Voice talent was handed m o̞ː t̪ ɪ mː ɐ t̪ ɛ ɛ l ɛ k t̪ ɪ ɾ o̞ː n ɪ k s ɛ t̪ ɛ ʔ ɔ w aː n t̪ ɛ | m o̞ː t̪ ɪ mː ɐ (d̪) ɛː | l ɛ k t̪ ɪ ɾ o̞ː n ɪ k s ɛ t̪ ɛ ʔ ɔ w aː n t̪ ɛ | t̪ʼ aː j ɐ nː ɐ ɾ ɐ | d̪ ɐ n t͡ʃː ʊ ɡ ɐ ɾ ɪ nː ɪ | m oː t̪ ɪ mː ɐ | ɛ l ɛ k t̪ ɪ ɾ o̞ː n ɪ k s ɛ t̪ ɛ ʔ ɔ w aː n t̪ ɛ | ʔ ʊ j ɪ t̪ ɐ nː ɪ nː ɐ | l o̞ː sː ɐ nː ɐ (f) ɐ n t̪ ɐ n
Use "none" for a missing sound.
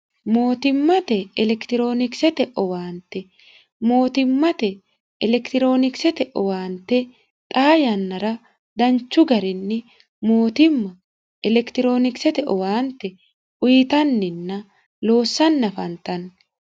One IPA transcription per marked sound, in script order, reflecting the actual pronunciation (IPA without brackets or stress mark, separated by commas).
t̪, f